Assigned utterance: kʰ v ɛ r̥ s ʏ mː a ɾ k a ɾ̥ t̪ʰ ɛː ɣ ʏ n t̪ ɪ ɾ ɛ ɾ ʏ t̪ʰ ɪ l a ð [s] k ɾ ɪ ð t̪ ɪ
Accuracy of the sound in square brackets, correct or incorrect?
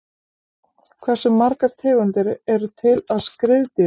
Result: correct